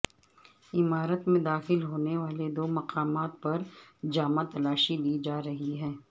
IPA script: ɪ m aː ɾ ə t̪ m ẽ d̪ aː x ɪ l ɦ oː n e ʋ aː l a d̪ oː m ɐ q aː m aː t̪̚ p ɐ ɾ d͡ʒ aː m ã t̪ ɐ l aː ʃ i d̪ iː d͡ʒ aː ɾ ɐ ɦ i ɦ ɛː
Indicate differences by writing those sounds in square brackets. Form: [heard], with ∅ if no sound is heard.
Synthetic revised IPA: ɪ m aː ɾ ə t̪ m ẽ d̪ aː x ɪ l ɦ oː n e ʋ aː l [e] d̪ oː m ɐ q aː m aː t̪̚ p ɐ ɾ d͡ʒ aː m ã t̪ ɐ l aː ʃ i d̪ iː d͡ʒ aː ɾ ɐ ɦ i ɦ ɛː